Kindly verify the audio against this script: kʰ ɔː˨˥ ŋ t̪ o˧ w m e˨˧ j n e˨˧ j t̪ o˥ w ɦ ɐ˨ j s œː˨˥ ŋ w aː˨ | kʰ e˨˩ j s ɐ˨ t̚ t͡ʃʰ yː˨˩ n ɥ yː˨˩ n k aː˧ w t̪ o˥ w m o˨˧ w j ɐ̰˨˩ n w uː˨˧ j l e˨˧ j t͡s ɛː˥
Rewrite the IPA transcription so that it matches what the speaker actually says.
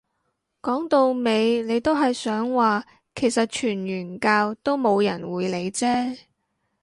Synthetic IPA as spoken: k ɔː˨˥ ŋ t̪ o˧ w m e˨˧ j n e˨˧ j t̪ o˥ w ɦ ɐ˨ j s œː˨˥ ŋ w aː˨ | kʰ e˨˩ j s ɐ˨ t̚ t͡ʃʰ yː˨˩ n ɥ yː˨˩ n k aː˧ w t̪ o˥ w m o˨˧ w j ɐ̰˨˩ n w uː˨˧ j l e˨˧ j t͡s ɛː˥

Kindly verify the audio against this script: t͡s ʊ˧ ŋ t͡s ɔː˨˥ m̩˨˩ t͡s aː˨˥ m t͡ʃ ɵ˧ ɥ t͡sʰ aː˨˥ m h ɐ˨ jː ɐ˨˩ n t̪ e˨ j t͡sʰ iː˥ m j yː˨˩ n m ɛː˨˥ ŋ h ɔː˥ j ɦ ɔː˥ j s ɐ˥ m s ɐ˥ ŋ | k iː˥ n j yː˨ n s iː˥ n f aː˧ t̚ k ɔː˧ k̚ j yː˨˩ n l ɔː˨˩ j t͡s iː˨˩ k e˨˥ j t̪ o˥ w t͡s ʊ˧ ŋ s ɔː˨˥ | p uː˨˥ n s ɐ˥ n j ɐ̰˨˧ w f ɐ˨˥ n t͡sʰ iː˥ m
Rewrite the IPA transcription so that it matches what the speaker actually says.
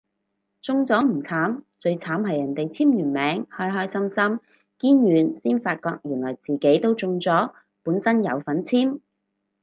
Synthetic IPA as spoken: t͡s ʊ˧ ŋ t͡s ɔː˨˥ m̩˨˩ t͡sʰ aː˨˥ m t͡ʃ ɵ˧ ɥ t͡sʰ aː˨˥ m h ɐ˨ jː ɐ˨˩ n t̪ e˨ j t͡sʰ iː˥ m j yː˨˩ n m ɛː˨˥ ŋ h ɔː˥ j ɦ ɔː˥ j s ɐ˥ m s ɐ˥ m | k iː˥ n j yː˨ n s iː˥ n f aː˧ t̚ k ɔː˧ k̚ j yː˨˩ n l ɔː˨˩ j t͡s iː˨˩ k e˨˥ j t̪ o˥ w t͡s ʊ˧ ŋ t͡s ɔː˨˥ | p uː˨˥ n s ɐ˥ n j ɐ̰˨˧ w f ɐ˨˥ n t͡sʰ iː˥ m

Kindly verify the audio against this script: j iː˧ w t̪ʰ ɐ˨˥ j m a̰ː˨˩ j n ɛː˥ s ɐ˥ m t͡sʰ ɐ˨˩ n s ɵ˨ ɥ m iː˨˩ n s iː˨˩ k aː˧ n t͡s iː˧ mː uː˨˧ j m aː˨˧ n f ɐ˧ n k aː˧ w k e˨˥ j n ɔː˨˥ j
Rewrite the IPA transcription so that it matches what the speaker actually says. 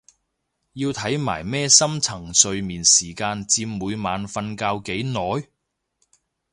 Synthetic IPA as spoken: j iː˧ w t̪ʰ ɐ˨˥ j m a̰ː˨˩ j m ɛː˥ s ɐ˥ m t͡sʰ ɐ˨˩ ŋ s ɵ˨ ɥ m iː˨˩ n s iː˨˩ k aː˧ n t͡s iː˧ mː uː˨˧ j m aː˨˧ n f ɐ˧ n k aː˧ w k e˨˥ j n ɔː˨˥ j

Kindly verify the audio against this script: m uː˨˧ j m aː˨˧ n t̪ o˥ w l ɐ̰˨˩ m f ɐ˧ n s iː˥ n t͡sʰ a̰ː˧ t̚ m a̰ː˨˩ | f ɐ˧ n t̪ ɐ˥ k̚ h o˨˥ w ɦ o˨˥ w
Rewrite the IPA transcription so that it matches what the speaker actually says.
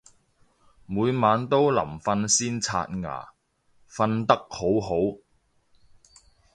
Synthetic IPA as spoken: m uː˨˧ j m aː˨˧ n t̪ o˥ w l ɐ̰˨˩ m f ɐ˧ n s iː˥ n t͡sʰ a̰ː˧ t̚ ŋ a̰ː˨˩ | f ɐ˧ n t̪ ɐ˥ k̚ h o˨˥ w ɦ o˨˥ w

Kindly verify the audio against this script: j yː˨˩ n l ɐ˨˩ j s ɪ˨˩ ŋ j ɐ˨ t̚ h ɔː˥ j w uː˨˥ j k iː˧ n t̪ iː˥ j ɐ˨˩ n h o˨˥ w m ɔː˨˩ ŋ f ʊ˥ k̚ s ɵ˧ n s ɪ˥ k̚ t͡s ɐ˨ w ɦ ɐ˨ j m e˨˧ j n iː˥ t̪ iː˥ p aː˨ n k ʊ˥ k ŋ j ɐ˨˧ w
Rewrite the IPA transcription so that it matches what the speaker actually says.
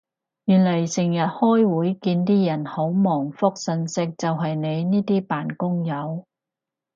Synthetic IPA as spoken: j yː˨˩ n l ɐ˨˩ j s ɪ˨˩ ŋ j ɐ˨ t̚ h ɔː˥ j w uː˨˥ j k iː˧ n t̪ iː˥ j ɐ˨˩ n h o˨˥ w m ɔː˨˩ ŋ f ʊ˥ k̚ s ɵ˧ n s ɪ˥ k̚ t͡s ɐ˨ w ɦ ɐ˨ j n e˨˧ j n iː˥ t̪ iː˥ p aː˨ n k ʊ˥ ŋ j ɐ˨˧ w

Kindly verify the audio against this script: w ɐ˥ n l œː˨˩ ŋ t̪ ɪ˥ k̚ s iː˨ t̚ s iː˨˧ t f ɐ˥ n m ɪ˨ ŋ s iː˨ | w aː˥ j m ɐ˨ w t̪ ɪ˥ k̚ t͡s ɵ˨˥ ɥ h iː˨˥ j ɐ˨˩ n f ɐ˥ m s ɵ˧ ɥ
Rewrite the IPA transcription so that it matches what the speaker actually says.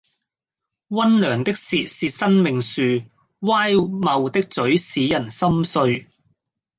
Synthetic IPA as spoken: w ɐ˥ n l œː˨˩ ŋ t̪ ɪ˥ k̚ s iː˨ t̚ s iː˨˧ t s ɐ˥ n m ɪ˨ ŋ s yː˨ | w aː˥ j m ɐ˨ w t̪ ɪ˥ k̚ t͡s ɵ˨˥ ɥ s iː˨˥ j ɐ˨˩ n s ɐ˥ m s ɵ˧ ɥ

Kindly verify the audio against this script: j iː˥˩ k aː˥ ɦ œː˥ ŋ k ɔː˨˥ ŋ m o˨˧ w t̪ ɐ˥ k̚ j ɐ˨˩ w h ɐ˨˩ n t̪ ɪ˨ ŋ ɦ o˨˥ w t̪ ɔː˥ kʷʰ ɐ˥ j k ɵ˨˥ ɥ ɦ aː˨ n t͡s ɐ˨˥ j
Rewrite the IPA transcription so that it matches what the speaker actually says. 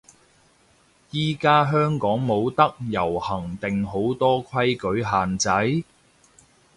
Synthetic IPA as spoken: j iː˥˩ k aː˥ ɦ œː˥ ŋ k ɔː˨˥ ŋ m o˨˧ w t̪ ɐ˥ k̚ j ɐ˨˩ w h ɐ˨˩ ŋ t̪ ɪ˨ ŋ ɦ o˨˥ w t̪ ɔː˥ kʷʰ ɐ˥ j k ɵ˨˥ ɥ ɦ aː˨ n t͡s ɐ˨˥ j

